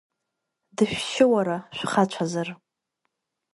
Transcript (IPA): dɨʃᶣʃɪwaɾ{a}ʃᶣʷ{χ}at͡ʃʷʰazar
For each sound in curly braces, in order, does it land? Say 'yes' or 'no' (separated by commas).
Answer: yes, yes